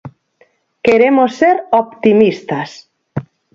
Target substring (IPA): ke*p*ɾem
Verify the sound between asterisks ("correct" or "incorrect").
incorrect